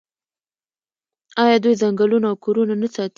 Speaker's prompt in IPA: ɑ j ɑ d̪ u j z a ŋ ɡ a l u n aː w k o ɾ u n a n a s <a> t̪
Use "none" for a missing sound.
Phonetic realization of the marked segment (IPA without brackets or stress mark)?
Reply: ɑ